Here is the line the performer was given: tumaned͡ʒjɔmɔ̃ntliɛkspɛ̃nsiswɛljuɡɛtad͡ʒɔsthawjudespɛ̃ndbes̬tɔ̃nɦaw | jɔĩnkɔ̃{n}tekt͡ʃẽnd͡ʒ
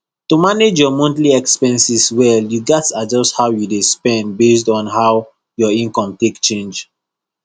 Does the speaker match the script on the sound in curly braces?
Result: no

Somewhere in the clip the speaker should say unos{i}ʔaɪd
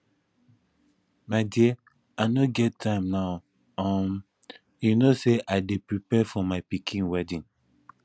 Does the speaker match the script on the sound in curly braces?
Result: no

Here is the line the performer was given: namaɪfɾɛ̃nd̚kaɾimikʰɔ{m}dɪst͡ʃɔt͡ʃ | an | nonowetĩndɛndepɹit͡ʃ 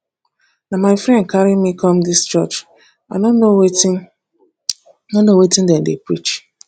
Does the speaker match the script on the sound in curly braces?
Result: yes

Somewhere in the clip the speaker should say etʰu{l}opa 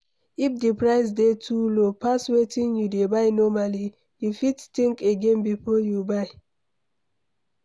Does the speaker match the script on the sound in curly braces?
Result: yes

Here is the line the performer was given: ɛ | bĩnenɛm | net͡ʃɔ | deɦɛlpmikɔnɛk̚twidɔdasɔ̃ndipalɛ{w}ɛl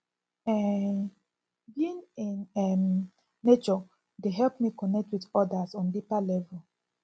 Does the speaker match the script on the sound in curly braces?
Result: no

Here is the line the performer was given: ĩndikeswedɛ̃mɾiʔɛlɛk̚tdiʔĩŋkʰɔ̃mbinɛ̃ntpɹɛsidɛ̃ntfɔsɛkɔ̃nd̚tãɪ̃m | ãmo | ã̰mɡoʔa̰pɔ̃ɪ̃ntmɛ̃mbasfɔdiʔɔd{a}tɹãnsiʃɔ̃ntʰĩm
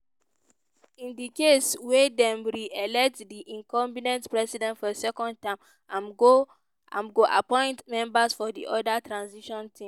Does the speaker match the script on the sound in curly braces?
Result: yes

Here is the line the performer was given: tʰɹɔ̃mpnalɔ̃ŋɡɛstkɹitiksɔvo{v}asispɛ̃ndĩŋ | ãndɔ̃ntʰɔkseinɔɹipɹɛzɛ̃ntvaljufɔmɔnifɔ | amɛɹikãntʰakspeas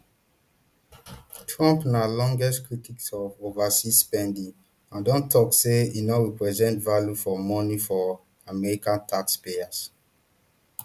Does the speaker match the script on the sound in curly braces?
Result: yes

